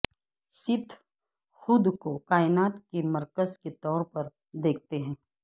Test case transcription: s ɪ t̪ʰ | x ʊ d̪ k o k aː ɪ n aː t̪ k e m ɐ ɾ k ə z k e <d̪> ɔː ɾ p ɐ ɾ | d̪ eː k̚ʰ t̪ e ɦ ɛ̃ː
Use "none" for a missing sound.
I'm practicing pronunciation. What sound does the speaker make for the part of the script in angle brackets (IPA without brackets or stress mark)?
t̪